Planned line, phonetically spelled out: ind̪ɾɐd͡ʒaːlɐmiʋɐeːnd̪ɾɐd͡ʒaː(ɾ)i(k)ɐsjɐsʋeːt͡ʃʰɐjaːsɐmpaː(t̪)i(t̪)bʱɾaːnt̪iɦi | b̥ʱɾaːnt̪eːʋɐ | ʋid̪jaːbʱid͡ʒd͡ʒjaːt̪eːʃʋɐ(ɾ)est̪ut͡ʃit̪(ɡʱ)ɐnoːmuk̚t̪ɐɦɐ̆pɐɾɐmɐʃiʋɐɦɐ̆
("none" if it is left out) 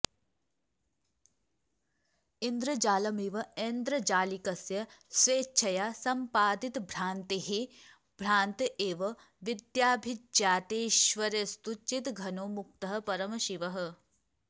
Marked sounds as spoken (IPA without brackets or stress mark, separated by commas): l, k, d̪, t̪, ɾ, ɡʱ